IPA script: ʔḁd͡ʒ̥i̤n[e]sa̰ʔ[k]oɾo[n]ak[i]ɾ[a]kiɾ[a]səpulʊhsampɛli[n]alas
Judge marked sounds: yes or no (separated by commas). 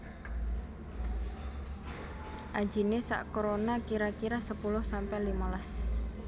yes, yes, yes, yes, yes, yes, no